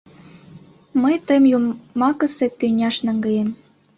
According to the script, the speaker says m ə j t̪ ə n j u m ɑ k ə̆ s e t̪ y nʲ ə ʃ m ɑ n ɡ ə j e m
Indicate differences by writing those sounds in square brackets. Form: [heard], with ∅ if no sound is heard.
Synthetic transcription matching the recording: m ə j t̪ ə [m] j u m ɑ k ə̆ s e t̪ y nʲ [ɑ] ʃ [n] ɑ [ŋ] ɡ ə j e m

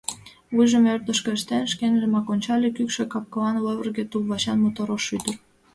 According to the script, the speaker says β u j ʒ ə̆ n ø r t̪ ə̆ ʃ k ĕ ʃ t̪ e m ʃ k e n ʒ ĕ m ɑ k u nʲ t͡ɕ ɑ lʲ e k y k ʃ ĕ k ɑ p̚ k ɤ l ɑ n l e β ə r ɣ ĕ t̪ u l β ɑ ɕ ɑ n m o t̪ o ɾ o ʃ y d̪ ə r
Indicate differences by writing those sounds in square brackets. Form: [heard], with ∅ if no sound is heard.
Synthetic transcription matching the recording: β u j ʒ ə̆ [m] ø r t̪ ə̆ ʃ k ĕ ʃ t̪ e [n] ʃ k e n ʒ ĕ m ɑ k [o] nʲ t͡ɕ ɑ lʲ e k y k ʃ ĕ k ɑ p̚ k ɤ l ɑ n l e β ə r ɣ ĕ t̪ u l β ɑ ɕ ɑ n m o t̪ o ɾ o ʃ y d̪ ə r

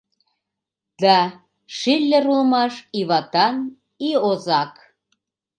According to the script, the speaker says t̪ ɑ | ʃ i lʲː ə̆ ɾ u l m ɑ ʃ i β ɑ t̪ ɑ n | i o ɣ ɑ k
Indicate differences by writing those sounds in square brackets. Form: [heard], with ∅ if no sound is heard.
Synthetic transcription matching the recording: [d̪] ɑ | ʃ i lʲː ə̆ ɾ u l m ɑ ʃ i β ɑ t̪ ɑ n | i o [z] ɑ k

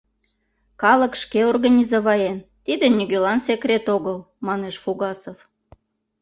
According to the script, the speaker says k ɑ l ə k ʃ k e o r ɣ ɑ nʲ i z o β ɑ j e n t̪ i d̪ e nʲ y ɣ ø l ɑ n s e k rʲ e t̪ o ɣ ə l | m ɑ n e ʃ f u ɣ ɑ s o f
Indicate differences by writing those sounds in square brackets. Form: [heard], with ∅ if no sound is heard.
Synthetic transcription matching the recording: k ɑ l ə k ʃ k e o r ɣ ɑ nʲ i z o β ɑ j e n t̪ i d̪ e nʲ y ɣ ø l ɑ n s e k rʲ e t̪ o ɣ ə l | m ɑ n e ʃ f u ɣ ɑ s o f

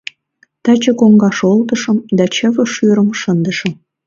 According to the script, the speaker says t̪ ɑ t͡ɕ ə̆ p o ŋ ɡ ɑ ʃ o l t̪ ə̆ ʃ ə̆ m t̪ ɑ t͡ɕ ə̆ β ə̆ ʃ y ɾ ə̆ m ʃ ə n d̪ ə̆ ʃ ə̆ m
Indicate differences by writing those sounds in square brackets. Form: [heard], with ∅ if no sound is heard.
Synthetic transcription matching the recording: t̪ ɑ t͡ɕ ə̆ [k] o ŋ ɡ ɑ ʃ o l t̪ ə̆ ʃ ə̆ m [d̪] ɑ t͡ɕ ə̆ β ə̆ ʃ y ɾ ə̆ m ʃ ə n d̪ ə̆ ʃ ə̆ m

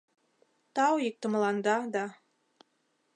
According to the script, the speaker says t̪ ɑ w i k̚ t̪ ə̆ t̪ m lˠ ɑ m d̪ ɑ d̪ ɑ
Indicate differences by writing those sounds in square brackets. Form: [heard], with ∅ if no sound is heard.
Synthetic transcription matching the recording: t̪ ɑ w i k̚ t̪ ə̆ [∅] m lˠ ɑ [n] d̪ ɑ d̪ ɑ

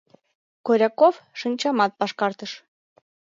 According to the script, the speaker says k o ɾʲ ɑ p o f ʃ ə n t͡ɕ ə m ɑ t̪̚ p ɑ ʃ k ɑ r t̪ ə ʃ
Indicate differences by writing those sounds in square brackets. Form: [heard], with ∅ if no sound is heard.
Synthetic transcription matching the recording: k o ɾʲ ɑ [k] o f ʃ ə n t͡ɕ [ɑ] m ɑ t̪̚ p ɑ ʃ k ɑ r t̪ ə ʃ

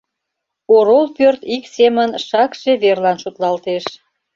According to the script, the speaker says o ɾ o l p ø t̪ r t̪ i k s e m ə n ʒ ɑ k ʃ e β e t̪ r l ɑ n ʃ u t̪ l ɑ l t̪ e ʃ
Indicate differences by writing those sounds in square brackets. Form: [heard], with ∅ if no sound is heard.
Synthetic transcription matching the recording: o ɾ o l p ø [∅] r t̪ i k s e m ə n [ʃ] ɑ k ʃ e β e [∅] r l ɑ n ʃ u t̪ l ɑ l t̪ e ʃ

